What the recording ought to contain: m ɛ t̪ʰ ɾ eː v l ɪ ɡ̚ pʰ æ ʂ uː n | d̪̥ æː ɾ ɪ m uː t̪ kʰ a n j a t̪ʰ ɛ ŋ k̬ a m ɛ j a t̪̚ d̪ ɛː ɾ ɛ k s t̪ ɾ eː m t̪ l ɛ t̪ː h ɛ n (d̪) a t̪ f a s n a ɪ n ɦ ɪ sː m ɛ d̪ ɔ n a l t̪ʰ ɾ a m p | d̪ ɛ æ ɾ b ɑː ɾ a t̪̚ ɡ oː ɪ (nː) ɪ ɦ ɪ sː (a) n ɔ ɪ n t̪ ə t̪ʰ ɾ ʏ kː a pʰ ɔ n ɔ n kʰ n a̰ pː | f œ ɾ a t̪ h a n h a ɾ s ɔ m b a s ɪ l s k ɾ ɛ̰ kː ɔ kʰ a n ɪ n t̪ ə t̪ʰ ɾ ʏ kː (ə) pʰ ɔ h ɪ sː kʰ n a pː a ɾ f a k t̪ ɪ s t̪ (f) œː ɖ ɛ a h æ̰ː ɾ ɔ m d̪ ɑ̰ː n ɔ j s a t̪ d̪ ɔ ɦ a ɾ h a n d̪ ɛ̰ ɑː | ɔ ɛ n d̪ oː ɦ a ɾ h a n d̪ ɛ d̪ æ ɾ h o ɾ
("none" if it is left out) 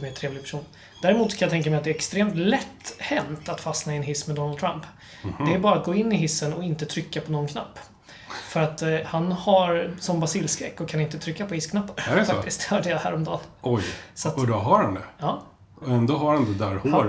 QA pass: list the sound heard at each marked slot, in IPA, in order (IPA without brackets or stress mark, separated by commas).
t̪, nː, ə, a, h